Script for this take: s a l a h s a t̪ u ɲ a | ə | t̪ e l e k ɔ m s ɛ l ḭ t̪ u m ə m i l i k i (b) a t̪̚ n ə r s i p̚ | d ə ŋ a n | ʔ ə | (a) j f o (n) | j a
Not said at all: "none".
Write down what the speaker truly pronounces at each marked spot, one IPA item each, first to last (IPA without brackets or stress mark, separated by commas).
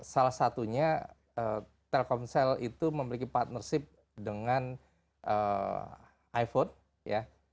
p, a, n